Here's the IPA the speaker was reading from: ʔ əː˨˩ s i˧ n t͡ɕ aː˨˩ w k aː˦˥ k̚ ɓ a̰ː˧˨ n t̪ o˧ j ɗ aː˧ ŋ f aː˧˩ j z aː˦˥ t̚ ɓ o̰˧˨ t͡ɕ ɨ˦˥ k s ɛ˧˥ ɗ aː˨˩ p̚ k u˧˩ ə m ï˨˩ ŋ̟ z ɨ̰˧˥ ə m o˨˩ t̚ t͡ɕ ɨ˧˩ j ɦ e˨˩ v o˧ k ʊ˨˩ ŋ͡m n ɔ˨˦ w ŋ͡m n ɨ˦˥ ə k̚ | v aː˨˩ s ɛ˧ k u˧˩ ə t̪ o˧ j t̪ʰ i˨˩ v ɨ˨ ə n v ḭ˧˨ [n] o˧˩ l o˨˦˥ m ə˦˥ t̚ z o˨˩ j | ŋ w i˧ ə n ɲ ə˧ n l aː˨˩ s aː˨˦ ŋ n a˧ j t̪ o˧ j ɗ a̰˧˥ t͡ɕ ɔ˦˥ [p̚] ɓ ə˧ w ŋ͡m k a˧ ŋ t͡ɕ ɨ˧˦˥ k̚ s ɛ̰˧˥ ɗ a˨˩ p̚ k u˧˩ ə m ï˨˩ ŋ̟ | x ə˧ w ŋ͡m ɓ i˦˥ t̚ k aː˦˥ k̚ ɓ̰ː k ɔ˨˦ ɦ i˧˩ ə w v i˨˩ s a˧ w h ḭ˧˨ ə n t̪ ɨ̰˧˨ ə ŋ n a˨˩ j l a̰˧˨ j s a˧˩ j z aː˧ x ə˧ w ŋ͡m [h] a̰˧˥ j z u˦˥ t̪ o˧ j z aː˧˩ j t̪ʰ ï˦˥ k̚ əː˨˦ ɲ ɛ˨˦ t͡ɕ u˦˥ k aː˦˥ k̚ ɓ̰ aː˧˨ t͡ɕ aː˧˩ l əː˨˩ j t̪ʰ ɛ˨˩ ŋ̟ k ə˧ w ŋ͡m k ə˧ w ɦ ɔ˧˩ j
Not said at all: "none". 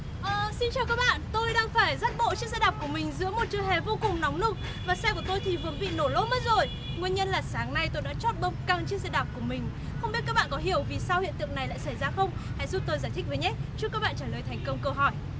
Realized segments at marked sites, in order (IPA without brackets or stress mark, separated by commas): n, t̚, h